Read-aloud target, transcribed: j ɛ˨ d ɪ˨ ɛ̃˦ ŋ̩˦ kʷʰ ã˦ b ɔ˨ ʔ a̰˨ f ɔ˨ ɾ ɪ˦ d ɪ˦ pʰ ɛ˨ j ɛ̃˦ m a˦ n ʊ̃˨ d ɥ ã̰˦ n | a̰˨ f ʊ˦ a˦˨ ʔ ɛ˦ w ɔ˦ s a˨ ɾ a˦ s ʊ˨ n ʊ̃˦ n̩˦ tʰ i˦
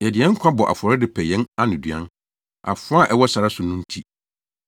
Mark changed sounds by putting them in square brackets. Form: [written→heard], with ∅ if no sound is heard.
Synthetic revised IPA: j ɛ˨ d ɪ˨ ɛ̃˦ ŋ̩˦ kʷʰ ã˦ b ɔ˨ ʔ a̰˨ f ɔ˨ ɾ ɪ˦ d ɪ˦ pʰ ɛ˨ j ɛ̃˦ [m→n] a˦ n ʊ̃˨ d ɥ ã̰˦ n | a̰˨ f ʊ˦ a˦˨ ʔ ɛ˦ w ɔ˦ s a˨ ɾ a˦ s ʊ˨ n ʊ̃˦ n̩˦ tʰ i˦